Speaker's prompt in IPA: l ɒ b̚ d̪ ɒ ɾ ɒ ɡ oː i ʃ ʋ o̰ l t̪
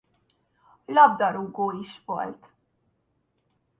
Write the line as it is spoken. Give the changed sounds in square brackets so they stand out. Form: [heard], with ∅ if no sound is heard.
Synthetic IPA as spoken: l ɒ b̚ d̪ ɒ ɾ [u] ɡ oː i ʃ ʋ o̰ l t̪